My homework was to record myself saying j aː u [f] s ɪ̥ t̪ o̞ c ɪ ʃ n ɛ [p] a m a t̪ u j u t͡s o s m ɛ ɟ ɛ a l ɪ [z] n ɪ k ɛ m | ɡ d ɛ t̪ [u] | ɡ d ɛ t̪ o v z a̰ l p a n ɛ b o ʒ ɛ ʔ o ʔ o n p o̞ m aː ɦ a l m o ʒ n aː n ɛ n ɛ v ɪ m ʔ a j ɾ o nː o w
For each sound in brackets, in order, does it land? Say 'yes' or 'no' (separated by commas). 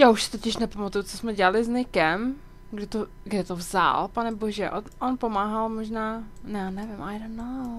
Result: no, yes, yes, no